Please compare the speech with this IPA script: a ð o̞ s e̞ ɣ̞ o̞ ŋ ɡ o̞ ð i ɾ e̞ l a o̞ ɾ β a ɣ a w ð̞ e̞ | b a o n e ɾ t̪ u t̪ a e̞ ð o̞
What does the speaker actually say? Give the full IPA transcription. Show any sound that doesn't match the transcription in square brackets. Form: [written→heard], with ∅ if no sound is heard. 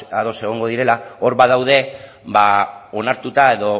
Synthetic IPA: a ð o̞ s e̞ ɣ̞ o̞ ŋ ɡ o̞ ð i ɾ e̞ l a o̞ ɾ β a [ɣ→ð] a w ð̞ e̞ | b a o n [e→a] ɾ t̪ u t̪ a e̞ ð o̞

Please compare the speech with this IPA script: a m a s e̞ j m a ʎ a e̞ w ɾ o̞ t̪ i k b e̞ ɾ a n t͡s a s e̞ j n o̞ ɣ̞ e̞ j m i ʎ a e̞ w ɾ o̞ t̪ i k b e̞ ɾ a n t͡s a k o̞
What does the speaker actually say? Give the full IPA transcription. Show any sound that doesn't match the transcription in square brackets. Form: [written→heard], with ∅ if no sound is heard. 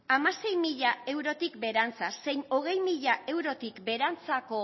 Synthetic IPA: a m a s e̞ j m [a→i] ʎ a e̞ w ɾ o̞ t̪ i k b e̞ ɾ a n t͡s a s e̞ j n o̞ ɣ̞ e̞ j m i ʎ a e̞ w ɾ o̞ t̪ i k b e̞ ɾ a n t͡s a k o̞

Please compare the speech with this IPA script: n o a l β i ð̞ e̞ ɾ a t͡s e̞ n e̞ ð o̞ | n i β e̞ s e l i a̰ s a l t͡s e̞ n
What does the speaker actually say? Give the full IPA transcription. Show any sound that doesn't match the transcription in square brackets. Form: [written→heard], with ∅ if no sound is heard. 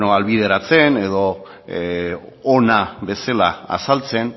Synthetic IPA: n o a l β i ð̞ e̞ ɾ a t͡s e̞ n e̞ ð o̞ | n [i→a] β e̞ s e l [i→a] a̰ s a l t͡s e̞ n

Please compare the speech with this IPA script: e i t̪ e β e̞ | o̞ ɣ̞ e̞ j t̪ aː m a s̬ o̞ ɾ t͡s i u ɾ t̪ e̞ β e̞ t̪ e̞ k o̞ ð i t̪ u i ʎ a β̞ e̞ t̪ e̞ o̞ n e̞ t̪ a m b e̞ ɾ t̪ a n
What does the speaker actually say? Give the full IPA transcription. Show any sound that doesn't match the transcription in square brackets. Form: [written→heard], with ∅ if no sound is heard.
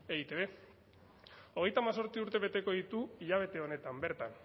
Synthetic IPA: e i t̪ e β e̞ | o̞ ɣ̞ e̞ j t̪ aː m a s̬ o̞ ɾ t͡s i u ɾ t̪ e̞ β e̞ t̪ e̞ k o̞ ð i t̪ u i ʎ a β̞ e̞ t̪ e̞ o̞ n e̞ t̪ a m b e̞ ɾ t̪ a n

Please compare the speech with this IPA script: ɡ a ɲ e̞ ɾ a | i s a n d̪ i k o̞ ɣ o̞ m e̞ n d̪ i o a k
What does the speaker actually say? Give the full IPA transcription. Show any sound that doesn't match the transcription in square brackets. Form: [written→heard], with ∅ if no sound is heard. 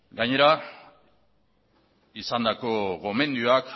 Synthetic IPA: ɡ a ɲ e̞ ɾ a | i s a n d̪ [i→a] k o̞ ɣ o̞ m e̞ n d̪ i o a k

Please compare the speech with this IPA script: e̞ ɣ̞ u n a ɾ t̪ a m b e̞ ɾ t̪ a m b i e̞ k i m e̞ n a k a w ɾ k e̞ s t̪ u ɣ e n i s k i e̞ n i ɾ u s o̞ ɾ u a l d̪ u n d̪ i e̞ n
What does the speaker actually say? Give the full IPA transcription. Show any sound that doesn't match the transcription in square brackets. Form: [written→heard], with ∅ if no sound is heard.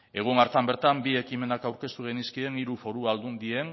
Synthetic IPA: e̞ ɣ̞ u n a ɾ t̪ a m b e̞ ɾ t̪ a m b i e̞ k i m e̞ n a k a w ɾ k e̞ s t̪ u ɣ e n i s k i e̞ n i ɾ u [s→f] o̞ ɾ u a l d̪ u n d̪ i e̞ n

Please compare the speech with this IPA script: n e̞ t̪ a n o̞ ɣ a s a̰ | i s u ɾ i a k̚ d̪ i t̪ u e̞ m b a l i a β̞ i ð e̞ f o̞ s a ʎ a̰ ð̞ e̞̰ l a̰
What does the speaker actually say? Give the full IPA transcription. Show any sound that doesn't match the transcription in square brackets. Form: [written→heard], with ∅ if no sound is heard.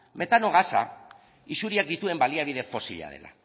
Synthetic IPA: [n→m] e̞ t̪ a n o̞ ɣ a s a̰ | i s u ɾ i a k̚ d̪ i t̪ u e̞ m b a l i a β̞ i ð e̞ f o̞ s [a→i] ʎ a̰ ð̞ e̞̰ l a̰

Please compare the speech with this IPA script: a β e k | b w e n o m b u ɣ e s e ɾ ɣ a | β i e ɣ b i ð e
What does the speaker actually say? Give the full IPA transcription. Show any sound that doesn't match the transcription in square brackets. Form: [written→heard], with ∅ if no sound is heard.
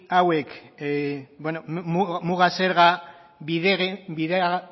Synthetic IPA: a [β→w] e k | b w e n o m [b→m] u ɣ [e→a] s e ɾ ɣ a | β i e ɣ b i ð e

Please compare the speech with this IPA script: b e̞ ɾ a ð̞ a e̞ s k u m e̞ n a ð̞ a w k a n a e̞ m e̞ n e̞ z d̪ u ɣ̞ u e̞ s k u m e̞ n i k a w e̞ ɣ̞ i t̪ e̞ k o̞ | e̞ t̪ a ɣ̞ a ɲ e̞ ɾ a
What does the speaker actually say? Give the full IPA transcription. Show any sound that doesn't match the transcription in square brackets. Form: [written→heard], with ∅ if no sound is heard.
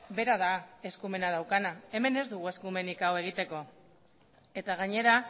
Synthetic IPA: b e̞ ɾ a ð̞ a e̞ s k u m e̞ n a ð̞ a w k a n a e̞ m e̞ n e̞ z d̪ u ɣ̞ u e̞ s k u m e̞ n i k a w e̞ ɣ̞ i t̪ e̞ k o̞ | e̞ t̪ a ɣ̞ a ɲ e̞ ɾ a

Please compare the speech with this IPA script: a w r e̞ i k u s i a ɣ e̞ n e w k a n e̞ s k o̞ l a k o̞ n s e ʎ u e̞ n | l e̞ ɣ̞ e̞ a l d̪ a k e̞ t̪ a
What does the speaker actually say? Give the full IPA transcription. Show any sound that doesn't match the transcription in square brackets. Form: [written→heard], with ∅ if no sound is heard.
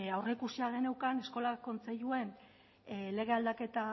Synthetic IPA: a w r e̞ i k u s i a ɣ e̞ n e w k a n e̞ s k o̞ l a k o̞ n [s→t͡s] e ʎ u e̞ n | l e̞ ɣ̞ e̞ a l d̪ a k e̞ t̪ a

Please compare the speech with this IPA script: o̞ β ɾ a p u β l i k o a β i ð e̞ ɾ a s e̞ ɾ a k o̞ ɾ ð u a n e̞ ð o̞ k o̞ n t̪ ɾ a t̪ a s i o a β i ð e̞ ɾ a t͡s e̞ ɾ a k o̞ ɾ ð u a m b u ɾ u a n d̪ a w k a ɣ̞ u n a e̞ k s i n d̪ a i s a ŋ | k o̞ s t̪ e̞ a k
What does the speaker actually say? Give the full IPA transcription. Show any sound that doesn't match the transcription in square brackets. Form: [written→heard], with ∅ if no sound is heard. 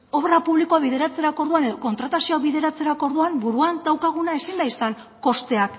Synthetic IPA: o̞ β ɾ a p u β l i k o a β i ð e̞ ɾ a [s→t͡s] e̞ ɾ a k o̞ ɾ ð u a n e̞ ð o̞ k o̞ n t̪ ɾ a t̪ a s i o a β i ð e̞ ɾ a t͡s e̞ ɾ a k o̞ ɾ ð u a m b u ɾ u a n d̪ a w k a ɣ̞ u n a e̞ [k→∅] s i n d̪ a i s a ŋ | k o̞ s t̪ e̞ a k

